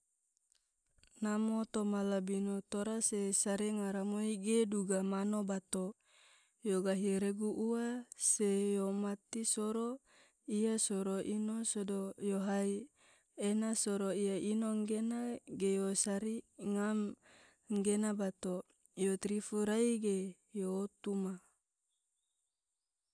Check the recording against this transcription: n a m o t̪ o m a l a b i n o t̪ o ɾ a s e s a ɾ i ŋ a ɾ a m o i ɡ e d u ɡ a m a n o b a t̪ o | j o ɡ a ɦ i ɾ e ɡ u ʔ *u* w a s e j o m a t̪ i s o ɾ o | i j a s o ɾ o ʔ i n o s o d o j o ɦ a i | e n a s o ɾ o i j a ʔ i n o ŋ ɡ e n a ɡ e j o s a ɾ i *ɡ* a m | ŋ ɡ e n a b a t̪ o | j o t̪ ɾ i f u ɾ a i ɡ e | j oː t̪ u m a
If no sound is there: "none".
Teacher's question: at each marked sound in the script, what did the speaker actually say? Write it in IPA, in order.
u, ŋ

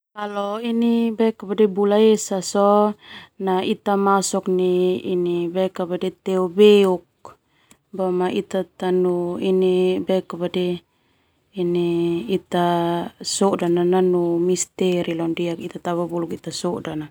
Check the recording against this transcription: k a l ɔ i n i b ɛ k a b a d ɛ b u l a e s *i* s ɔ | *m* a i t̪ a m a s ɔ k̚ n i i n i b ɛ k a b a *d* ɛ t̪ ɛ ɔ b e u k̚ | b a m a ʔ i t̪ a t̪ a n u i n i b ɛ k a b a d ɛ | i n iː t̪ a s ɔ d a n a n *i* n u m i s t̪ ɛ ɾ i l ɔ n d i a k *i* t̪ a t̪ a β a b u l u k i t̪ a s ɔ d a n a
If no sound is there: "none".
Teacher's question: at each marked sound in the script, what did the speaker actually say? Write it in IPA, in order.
a, n, d, a, i

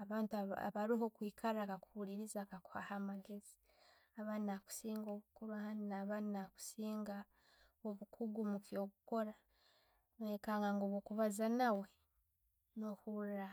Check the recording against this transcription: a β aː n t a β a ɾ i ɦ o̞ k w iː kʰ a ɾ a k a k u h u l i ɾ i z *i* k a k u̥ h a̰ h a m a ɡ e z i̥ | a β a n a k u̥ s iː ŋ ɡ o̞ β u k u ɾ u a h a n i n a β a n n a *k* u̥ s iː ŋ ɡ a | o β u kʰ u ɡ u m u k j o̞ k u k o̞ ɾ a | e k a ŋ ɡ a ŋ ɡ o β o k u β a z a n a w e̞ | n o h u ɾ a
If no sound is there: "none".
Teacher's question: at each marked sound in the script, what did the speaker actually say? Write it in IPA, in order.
a, k

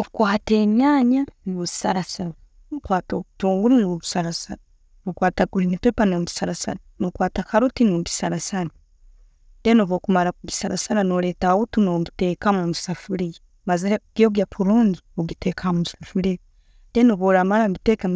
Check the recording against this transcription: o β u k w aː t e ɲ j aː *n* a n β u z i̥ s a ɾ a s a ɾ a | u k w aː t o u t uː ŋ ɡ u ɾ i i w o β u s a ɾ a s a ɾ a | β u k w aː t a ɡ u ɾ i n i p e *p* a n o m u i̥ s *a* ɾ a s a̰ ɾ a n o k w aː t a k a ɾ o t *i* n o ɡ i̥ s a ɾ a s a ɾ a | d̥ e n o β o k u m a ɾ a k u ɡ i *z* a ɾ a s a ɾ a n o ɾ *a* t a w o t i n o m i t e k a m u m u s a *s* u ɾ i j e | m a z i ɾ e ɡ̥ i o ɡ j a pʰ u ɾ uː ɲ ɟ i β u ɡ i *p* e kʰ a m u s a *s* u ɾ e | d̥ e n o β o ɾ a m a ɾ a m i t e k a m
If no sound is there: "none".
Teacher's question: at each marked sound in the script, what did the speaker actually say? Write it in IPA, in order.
ɲ, p, a, i, s, e, f, t, f

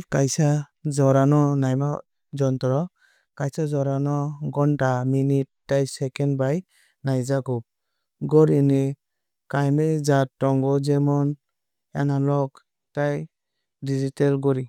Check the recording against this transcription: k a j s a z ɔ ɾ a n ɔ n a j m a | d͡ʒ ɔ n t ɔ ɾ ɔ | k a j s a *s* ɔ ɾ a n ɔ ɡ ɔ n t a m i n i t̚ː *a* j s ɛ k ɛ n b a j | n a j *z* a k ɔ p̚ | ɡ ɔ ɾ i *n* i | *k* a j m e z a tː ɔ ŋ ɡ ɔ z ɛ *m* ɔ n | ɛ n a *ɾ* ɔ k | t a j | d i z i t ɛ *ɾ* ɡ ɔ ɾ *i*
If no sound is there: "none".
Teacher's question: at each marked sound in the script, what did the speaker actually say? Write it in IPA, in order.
z, a, z, n, k, m, l, l, i

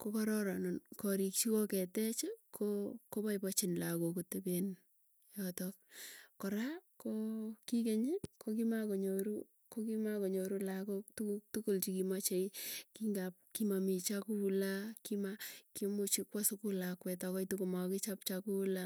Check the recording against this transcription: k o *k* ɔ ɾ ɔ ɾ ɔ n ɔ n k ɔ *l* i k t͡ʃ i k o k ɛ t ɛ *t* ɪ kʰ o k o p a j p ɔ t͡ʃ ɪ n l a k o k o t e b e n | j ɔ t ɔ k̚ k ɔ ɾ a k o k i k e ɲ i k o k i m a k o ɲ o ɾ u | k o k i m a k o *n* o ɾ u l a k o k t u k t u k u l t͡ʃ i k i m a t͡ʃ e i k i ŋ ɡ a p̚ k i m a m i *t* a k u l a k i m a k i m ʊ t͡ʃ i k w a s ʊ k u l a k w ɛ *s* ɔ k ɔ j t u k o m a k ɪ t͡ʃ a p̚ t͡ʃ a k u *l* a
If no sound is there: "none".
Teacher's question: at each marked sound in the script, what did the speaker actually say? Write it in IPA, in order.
k, ɾ, t͡ʃ, ɲ, t͡ʃ, t, l

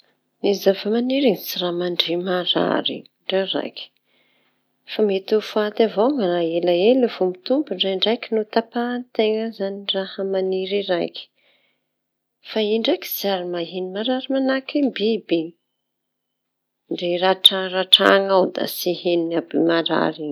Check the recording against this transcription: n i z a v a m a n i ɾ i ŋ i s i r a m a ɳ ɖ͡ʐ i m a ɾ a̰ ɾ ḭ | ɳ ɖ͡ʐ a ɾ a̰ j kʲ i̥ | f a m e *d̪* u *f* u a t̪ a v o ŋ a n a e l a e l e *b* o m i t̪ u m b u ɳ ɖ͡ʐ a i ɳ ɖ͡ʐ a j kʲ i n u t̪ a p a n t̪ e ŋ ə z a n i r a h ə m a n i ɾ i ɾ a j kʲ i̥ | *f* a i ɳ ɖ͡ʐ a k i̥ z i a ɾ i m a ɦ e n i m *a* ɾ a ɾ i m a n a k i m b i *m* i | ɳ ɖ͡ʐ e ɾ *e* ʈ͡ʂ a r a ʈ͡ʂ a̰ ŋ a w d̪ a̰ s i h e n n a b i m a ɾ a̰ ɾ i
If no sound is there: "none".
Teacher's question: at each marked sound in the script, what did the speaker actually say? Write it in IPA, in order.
t̪, f, v, f, a, b, a

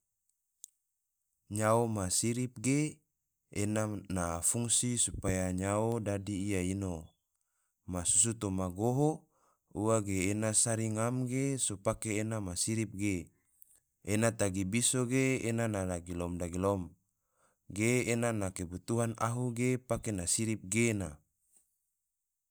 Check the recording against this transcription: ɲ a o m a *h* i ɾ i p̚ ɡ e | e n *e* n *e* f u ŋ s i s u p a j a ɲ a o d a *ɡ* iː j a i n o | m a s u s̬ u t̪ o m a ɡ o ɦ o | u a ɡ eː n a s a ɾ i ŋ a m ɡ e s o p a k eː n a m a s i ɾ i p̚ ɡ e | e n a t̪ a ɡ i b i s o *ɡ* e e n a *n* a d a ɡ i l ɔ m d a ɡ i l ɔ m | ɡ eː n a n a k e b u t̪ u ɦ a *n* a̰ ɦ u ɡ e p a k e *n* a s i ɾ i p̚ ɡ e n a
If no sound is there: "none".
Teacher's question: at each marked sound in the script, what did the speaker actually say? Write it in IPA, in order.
s, a, a, d, ɡ, n, n, n

